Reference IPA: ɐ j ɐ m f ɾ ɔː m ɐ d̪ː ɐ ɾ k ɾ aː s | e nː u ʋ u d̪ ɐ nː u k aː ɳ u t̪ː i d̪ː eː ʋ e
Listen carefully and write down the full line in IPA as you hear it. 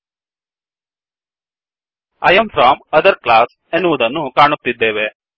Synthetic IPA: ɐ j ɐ m f ɾ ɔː m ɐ d̪ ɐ ɾ k l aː s | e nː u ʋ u d̪ ɐ nː u k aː ɳ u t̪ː i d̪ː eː ʋ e

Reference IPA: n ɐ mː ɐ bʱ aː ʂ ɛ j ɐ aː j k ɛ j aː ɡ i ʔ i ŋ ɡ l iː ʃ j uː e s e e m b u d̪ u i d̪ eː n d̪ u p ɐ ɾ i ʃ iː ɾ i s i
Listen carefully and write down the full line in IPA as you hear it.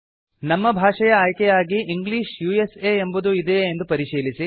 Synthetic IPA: n ɐ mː ɐ bʱ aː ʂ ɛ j ɐ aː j k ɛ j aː ɡ i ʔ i ŋ ɡ l iː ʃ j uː e s e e m b u d̪ u i d̪ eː n d̪ u p ɐ ɾ i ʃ iː l i s i

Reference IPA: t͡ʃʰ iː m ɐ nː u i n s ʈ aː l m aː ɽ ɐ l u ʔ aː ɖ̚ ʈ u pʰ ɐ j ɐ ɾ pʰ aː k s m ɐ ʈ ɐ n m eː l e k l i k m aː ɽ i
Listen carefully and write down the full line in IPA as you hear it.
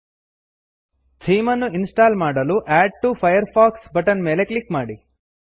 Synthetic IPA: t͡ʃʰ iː m ɐ nː u i n s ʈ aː l m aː ɽ ɐ l u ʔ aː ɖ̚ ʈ u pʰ ɐ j ɐ ɾ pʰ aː k s b ɐ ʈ ɐ n m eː l e k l i k m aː ɽ i

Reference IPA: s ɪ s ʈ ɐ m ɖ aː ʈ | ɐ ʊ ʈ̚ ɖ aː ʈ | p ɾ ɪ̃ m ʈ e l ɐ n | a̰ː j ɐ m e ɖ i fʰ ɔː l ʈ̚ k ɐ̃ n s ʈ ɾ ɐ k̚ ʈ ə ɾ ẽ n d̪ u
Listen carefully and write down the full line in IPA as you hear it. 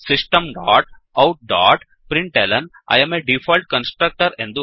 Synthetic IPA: s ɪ s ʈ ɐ m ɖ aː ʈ | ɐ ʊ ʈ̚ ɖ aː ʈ | p ɾ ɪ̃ ɳ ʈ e l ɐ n | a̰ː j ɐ m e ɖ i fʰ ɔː l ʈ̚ k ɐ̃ n s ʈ ɾ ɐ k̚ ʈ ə ɾ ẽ n d̪ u

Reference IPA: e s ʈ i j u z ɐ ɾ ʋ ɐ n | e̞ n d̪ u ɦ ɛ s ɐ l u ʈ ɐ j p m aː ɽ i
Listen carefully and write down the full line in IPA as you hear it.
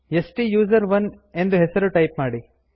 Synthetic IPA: e s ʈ i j uː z ɐ ɾ ʋ ɐ n | e̞ n d̪ u ɦ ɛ s ɐ ɾ u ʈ ɐ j p m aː ɽ i

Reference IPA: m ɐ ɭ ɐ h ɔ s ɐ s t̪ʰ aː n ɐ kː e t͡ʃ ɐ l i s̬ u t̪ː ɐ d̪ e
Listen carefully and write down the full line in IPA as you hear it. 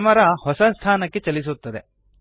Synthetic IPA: m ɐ ɾ ɐ h ɔ s ɐ s t̪ʰ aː n ɐ kː e t͡ʃ ɐ l i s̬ u t̪ː ɐ d̪ e

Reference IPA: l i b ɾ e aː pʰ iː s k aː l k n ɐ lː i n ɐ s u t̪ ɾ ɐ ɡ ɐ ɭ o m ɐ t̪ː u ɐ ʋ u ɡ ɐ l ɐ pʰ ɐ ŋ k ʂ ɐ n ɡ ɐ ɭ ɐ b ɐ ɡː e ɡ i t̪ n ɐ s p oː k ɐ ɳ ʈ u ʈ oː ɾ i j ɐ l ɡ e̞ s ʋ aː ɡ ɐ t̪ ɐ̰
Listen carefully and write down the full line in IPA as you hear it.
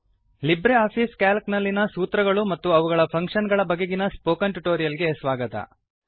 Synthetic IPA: l i b ɾ e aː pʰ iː s k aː l k n ɐ lː i n ɐ s uː t̪ ɾ ɐ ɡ ɐ ɭ u m ɐ t̪ː u ɐ ʋ u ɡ ɐ ɭ ɐ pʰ ɐ ŋ k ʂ ɐ n ɡ ɐ ɭ ɐ b ɐ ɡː e ɡ i n ɐ s p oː k ɐ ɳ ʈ u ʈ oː ɾ i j ɐ l ɡ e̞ s ʋ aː ɡ ɐ t̪ ɐ̰

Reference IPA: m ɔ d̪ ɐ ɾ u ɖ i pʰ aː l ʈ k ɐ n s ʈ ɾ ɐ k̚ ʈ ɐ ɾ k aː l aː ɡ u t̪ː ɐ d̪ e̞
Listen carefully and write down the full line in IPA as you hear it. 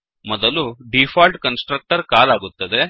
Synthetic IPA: m ɔ d̪ ɐ l u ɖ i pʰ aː l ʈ k ɐ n s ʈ ɾ ɐ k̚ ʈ ɐ ɾ k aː l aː ɡ u t̪ː ɐ d̪ e̞

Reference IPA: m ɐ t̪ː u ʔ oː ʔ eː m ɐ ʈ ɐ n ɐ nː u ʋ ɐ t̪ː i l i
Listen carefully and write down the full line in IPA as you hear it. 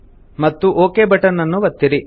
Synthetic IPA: m ɐ t̪ː u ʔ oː k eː b ɐ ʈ ɐ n ɐ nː u ʋ ɐ t̪ː i ɾ i

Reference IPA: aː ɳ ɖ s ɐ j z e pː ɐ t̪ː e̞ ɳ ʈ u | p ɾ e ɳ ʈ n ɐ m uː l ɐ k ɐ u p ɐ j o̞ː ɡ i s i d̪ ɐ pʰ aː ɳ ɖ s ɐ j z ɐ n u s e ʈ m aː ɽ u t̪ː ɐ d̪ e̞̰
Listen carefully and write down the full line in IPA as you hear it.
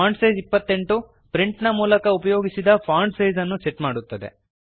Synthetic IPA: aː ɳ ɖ s ɐ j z i pː ɐ t̪ː e̞ ɳ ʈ u | p ɾ i ɳ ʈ n ɐ m uː l ɐ k ɐ u p ɐ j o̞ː ɡ i s i d̪ ɐ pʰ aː ɳ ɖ s ɐ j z ɐ nː u s e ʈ m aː ɽ u t̪ː ɐ d̪ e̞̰

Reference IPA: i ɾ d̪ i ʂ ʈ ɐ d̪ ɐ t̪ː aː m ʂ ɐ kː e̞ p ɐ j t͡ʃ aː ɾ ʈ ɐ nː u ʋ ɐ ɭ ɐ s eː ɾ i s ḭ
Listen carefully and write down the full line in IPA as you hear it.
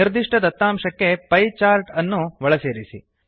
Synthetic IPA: i ɾ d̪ i ʂ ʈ ɐ d̪ ɐ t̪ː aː m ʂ ɐ kː e̞ p ɐ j t͡ʃ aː ɾ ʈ ɐ nː u ʋ ɐ ɭ ɐ s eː ɾ i s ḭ

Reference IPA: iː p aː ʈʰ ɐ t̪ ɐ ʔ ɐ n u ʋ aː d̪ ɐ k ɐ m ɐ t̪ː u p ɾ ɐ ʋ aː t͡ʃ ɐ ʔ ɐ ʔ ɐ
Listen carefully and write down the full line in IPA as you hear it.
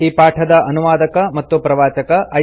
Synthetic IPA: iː p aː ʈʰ ɐ d̪ ɐ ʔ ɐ n u ʋ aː d̪ ɐ k ɐ m ɐ t̪ː u p ɾ ɐ ʋ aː t͡ʃ ɐ k ɐ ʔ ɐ

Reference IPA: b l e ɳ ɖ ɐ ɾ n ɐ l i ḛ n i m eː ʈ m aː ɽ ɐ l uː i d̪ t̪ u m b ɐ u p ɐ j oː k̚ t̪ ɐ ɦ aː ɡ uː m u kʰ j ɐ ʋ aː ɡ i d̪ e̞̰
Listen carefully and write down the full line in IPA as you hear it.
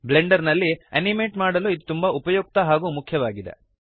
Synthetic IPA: b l e ɳ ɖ ɐ ɾ n ɐ lː i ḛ n i m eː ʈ m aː ɽ ɐ l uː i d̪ t̪ u m b ɐ u p ɐ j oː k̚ t̪ ɐ ɦ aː ɡ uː m u kʰ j ɐ ʋ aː ɡ i d̪ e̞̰

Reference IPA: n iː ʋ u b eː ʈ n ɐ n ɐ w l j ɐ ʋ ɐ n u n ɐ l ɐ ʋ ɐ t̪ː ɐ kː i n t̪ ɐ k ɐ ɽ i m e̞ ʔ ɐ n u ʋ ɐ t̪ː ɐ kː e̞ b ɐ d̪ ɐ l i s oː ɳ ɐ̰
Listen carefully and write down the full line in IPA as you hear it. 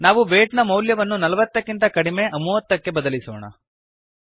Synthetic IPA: n aː ʋ u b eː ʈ n ɐ m ɐ w l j ɐ ʋ ɐ nː u n ɐ l ɐ ʋ ɐ t̪ː ɐ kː i n t̪ ɐ k ɐ ɽ i m e̞ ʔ ɐ m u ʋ ɐ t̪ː ɐ kː e̞ b ɐ d̪ ɐ l i s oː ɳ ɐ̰

